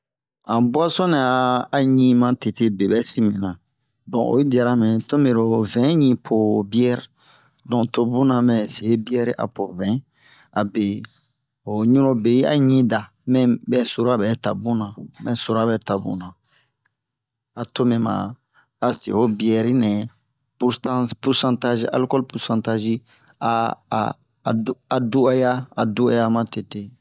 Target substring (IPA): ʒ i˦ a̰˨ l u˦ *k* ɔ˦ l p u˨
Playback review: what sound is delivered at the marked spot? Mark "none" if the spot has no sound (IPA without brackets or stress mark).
k